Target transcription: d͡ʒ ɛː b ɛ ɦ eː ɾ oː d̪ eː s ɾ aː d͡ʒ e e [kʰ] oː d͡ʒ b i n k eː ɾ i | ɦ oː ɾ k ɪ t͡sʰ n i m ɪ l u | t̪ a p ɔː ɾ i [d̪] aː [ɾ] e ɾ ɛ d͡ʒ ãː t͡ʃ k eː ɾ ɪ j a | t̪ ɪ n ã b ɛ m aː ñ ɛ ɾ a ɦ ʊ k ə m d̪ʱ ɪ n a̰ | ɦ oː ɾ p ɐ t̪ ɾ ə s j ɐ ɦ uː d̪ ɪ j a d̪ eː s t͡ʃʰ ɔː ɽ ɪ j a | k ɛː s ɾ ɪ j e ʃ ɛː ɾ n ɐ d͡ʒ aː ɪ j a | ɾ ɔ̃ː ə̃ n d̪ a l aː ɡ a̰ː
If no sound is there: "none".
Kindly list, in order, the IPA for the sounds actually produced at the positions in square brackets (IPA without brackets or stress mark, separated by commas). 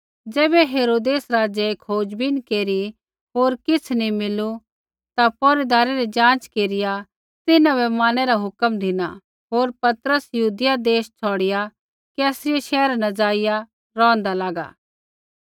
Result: kʰ, d̪, ɾ